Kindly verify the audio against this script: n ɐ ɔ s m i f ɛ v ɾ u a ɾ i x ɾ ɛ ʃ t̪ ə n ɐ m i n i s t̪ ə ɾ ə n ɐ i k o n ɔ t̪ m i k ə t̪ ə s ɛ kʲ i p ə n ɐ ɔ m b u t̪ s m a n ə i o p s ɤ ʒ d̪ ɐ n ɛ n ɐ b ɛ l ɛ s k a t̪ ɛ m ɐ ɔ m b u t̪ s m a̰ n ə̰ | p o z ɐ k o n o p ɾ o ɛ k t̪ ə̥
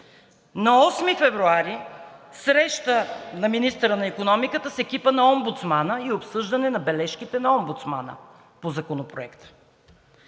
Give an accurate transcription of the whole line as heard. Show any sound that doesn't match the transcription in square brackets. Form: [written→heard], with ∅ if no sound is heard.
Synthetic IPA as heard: n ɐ ɔ s m i f ɛ v ɾ u a ɾ i [x→s] ɾ ɛ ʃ t̪ ə n ɐ m i n i s t̪ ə ɾ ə n ɐ i k o n ɔ [t̪→∅] m i k ə t̪ ə s ɛ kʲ i p ə n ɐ ɔ m b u t̪ s m a n ə i o p s ɤ ʒ d̪ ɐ n ɛ n ɐ b ɛ l ɛ [s→ʃ] k [a→i] t̪ ɛ [m→n] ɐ ɔ m b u t̪ s m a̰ n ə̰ | p o z ɐ k o n o p ɾ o ɛ k t̪ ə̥